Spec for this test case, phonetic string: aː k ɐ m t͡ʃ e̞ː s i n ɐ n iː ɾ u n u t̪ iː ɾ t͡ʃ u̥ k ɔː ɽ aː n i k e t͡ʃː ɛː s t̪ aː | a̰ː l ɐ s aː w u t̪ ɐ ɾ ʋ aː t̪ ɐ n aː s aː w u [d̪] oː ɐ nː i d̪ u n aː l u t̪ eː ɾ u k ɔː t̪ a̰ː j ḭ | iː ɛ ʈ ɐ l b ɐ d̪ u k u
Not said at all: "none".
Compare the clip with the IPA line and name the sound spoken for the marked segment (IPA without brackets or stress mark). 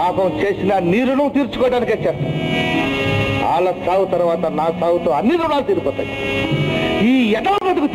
t̪